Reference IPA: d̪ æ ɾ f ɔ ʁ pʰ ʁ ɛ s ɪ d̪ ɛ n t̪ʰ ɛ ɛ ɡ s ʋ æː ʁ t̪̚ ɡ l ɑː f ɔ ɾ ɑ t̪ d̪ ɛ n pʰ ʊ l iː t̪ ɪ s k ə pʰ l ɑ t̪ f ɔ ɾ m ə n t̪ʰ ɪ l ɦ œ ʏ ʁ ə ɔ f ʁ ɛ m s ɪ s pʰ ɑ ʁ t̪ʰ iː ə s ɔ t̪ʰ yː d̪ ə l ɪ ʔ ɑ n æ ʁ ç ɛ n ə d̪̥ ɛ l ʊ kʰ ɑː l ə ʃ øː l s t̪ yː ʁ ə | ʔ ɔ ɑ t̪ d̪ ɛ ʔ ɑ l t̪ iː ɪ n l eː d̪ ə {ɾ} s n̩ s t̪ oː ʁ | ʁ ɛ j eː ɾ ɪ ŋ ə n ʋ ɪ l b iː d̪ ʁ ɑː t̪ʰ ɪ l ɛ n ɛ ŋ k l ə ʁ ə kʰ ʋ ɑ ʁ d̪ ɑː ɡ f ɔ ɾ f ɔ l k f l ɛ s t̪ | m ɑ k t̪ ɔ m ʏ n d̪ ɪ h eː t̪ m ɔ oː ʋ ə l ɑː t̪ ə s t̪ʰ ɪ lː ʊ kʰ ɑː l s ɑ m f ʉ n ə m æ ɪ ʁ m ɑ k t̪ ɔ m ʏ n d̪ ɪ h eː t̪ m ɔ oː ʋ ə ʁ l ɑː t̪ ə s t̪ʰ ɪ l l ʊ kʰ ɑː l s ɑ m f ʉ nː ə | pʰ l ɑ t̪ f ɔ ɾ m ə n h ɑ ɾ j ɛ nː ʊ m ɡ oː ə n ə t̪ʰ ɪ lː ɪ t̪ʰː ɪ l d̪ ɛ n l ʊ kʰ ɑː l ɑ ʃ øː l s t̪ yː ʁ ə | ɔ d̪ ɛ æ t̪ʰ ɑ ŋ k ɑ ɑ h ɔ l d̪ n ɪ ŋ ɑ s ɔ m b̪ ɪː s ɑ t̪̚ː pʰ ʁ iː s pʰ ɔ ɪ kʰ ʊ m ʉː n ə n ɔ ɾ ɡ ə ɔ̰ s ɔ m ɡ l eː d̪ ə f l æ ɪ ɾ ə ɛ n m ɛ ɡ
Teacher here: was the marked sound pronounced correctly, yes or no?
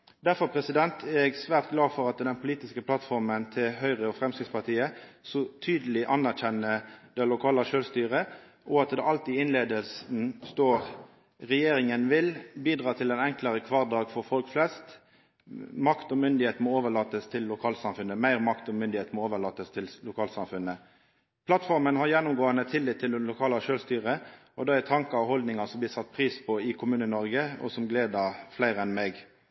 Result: no